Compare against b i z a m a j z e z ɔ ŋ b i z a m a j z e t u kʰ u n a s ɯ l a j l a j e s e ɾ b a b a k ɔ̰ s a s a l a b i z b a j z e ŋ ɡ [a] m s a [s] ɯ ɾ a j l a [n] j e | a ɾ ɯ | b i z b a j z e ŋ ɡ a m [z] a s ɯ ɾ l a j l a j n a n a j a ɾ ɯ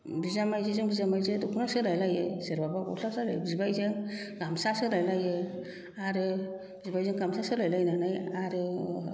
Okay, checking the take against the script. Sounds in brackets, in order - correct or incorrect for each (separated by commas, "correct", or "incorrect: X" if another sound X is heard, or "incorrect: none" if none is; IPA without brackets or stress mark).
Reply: correct, correct, incorrect: none, incorrect: s